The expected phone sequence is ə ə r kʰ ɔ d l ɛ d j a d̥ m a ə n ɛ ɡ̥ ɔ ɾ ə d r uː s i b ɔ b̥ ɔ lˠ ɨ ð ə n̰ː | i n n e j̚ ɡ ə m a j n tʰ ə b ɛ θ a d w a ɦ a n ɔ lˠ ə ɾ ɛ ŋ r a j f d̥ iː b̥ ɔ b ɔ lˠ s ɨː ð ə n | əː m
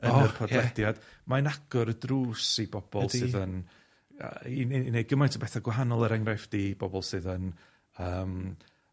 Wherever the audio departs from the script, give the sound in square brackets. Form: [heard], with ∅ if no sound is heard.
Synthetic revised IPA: ə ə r [pʰ] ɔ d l ɛ d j a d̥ m a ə n [a] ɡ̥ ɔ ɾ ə d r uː s i b ɔ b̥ ɔ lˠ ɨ ð ə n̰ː | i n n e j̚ ɡ ə m a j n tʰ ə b ɛ θ a [ɡ] w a ɦ a n ɔ lˠ ə ɾ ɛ ŋ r a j f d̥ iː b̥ ɔ b ɔ lˠ s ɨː ð ə n | əː m